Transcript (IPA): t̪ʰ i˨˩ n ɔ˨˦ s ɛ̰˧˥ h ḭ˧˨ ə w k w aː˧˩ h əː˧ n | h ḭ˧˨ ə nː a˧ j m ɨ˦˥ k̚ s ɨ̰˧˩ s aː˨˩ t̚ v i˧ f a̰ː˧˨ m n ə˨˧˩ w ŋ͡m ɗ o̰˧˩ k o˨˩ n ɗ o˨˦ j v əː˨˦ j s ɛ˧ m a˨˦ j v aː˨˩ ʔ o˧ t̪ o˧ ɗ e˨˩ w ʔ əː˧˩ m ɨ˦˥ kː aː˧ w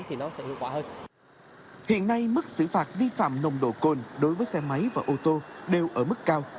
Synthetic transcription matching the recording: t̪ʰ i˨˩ n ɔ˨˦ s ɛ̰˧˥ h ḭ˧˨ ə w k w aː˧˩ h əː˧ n | h ḭ˧˨ ə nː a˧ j m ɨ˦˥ k̚ s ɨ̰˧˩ f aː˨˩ t̚ v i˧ f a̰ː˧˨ m n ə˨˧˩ w ŋ͡m ɗ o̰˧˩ k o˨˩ n ɗ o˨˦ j v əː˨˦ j s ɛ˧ m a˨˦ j v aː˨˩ ʔ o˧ t̪ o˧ ɗ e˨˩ w ʔ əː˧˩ m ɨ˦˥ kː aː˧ w